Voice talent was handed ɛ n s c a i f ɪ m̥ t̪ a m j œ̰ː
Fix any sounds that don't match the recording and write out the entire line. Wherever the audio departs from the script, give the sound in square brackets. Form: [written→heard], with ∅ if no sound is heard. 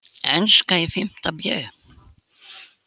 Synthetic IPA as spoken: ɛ n s [c→k] a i f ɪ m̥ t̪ a [m→b] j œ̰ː